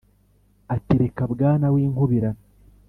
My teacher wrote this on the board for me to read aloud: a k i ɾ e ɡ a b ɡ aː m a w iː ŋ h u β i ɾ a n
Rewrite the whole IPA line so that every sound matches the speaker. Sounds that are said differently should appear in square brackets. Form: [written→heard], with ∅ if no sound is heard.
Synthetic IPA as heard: a [k→t] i ɾ e [ɡ→k] a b ɡ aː [m→n] a w iː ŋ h u β i ɾ a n